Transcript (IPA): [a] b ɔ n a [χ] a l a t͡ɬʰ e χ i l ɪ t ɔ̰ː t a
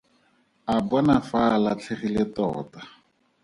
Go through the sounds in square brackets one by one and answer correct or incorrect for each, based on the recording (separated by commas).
correct, incorrect